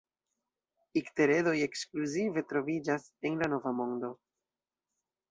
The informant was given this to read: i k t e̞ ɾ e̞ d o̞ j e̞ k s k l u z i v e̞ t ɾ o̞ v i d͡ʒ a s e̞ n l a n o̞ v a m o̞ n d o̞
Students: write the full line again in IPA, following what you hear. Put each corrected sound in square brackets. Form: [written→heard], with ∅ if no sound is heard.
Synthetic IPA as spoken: i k t e̞ ɾ e̞ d o̞ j e̞ k s k l u z i v e̞ t ɾ o̞ v i d͡ʒ a s e̞ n l a n o̞ v a m o̞ n d o̞